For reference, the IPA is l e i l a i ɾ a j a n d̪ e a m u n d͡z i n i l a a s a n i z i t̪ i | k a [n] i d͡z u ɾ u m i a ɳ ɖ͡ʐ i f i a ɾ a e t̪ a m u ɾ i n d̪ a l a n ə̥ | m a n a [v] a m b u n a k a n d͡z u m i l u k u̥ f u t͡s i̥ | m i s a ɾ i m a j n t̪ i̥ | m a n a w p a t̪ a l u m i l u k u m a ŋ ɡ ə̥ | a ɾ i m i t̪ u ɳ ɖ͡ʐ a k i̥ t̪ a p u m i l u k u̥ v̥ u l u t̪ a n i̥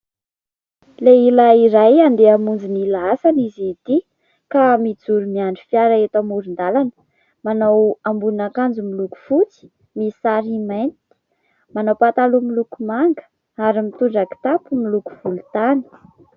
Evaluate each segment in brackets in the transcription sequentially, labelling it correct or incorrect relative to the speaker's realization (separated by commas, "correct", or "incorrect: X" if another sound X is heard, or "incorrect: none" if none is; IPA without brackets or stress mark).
incorrect: m, incorrect: w